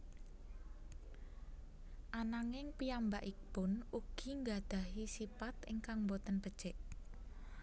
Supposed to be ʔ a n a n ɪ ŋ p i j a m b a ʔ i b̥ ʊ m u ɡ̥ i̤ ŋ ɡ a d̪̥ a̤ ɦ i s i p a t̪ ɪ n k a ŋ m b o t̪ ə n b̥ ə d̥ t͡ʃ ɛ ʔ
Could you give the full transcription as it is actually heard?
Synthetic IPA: ʔ a n a ŋ ɪ ŋ p i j a m b a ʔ i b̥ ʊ n u ɡ̥ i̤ ŋ ɡ a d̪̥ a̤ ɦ i s i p a t̪ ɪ ŋ k a ŋ m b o t̪ ə n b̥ ə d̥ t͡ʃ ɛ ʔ

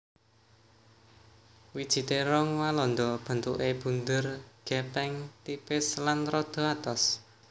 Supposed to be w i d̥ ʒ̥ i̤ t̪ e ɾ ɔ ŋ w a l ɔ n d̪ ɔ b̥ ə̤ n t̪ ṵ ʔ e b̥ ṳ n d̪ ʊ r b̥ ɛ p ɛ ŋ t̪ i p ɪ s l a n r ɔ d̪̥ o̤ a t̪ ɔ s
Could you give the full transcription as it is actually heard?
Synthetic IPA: w i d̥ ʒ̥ i̤ t̪ e ɾ ɔ ŋ w a l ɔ n d̪ ɔ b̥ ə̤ n t̪ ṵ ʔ e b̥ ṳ n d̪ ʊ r ɡ̥ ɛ p ɛ ŋ t̪ i p ɪ s l a n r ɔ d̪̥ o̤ a t̪ ɔ s

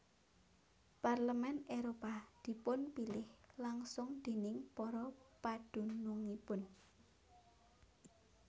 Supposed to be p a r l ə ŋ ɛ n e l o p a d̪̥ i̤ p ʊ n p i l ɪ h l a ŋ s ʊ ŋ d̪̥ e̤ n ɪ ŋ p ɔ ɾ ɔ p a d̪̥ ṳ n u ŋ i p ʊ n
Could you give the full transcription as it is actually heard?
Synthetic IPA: p a r l ə m ɛ n e ɾ o p a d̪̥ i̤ p ʊ n p i l ɪ h l a ŋ s ʊ ŋ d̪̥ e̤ n ɪ ŋ p ɔ ɾ ɔ p a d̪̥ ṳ n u ŋ i p ʊ n

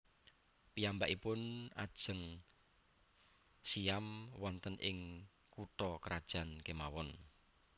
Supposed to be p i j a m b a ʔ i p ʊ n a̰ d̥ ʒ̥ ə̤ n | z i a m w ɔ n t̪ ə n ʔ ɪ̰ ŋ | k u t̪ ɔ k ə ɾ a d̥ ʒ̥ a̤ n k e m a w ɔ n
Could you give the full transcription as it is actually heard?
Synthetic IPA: p i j a m b a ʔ i p ʊ n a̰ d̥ ʒ̥ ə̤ ŋ | s i a m w ɔ n t̪ ə n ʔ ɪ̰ ŋ | k u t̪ ɔ k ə ɾ a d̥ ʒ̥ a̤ n k e m a w ɔ n

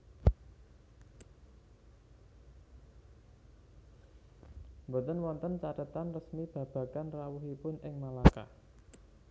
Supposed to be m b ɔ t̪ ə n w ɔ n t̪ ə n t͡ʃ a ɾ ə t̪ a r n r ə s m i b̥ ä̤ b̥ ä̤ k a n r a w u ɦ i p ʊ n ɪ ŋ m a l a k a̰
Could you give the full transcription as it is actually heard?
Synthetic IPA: m b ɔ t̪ ə n w ɔ n t̪ ə n t͡ʃ a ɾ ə t̪ a n r ə s m i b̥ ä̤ b̥ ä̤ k a n r a w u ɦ i p ʊ n ɪ ŋ m a l a k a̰

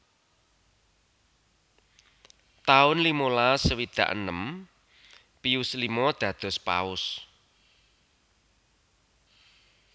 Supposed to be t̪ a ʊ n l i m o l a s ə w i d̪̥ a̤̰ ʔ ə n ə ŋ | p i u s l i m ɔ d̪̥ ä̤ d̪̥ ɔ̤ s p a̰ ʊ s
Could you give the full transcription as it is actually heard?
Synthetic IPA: t̪ a ʊ n l i m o l a s ə w i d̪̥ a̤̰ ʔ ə n ə m | p i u s l i m ɔ d̪̥ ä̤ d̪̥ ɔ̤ s p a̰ ʊ s

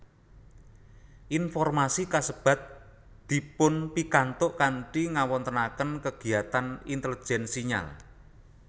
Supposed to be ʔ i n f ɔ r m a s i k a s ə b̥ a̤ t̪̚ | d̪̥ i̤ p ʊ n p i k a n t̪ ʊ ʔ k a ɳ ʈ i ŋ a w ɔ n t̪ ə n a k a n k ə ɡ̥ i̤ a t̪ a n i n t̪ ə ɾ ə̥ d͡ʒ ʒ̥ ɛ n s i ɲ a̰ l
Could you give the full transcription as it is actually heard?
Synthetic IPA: ʔ i n f ɔ r m a s i k a s ə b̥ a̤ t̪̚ | d̪̥ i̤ p ʊ n p i k a n t̪ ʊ ʔ k a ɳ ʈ i ŋ a w ɔ n t̪ ə n a k ə n k ə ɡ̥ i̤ a t̪ a n i n t̪ ə l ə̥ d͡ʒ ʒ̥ ɛ n s i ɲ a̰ l

